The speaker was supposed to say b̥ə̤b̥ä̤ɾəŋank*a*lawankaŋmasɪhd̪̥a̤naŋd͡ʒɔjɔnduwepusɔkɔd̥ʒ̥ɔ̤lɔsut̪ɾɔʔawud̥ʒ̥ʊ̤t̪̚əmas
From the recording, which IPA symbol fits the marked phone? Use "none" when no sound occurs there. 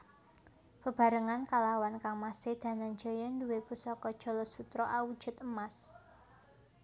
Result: a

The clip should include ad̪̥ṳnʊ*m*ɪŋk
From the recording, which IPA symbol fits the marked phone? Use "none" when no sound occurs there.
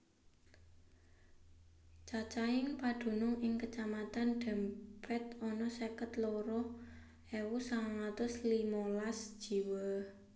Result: ŋ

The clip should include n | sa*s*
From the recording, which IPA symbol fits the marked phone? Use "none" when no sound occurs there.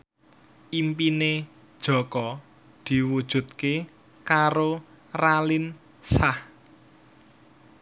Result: h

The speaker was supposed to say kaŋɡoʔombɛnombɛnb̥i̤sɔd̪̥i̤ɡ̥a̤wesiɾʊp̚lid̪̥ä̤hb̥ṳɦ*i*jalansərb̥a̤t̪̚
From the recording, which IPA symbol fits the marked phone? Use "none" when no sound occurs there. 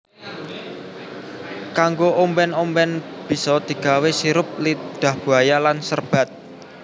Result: a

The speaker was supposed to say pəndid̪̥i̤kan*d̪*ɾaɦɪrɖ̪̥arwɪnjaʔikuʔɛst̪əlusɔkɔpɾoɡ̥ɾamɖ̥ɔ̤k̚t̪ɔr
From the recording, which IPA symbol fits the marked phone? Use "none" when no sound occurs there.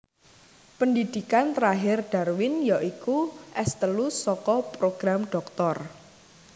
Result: t̪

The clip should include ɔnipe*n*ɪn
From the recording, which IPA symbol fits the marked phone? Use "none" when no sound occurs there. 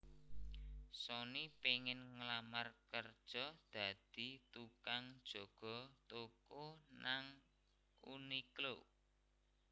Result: ŋ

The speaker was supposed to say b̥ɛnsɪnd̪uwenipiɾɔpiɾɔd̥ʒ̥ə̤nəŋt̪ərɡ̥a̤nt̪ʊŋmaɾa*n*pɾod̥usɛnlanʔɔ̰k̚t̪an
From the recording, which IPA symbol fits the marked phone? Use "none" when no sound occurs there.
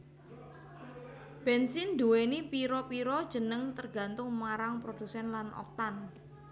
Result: ŋ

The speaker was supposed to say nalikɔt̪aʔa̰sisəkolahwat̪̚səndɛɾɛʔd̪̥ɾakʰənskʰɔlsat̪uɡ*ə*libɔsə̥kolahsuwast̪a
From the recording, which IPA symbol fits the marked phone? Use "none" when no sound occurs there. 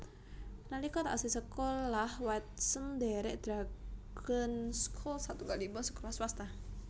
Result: a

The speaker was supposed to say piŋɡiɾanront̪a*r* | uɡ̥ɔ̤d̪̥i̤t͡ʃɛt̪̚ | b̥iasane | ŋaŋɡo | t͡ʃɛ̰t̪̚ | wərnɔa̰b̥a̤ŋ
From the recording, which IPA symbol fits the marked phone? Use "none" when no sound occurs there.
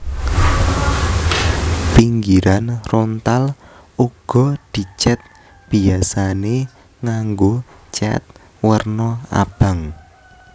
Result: l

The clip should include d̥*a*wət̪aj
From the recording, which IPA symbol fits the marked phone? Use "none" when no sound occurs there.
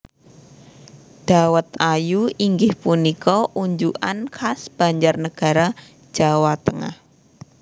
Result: a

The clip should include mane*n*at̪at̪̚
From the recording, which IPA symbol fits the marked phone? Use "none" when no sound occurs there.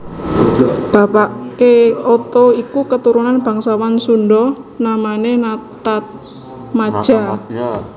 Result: n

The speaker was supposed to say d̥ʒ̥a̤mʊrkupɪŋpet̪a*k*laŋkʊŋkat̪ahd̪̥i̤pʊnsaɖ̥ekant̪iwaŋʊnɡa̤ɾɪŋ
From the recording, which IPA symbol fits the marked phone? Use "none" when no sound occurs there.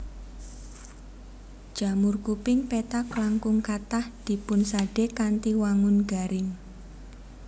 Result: k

